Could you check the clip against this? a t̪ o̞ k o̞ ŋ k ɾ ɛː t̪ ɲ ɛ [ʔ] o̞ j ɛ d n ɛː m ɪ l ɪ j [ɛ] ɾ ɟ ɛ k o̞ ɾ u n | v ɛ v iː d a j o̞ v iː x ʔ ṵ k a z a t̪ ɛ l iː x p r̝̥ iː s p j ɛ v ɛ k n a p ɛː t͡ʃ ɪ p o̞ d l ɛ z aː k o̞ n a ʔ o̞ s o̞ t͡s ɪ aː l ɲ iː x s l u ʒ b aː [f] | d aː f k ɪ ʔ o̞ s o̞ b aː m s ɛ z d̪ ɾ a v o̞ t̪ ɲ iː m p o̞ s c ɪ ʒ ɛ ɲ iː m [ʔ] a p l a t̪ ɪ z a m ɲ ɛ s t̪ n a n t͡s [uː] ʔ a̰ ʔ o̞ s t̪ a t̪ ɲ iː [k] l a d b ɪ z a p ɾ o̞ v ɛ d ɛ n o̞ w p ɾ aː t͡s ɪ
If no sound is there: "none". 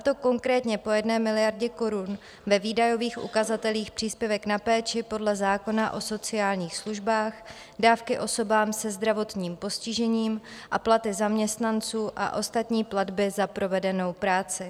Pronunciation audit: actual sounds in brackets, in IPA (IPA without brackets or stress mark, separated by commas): p, a, x, ʔ, uː, p